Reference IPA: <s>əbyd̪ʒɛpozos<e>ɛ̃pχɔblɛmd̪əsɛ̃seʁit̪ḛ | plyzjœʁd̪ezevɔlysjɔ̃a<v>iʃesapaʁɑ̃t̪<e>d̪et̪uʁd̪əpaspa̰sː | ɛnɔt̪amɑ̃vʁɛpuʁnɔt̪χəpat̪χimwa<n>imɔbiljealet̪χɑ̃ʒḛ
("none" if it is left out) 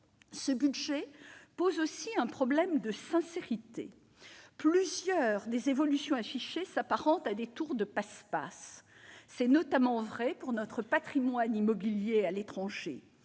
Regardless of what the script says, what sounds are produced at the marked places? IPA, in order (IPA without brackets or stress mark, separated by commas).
s, i, f, a, n